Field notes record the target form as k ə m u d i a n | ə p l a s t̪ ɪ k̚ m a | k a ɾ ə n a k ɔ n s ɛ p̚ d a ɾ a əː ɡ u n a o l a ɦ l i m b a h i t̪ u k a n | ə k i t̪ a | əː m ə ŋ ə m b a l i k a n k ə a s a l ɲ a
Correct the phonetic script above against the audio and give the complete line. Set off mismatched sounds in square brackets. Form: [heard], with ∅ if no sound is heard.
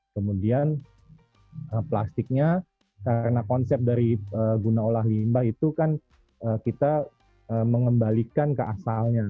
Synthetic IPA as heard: k ə m u d i a n | ə p l a s t̪ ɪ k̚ [ɲ] a | k a ɾ ə n a k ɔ n s ɛ p̚ d a ɾ [i] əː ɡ u n a o l a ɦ l i m b a h i t̪ u k a n | ə k i t̪ a | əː m ə ŋ ə m b a l i k a n k ə a s a l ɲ a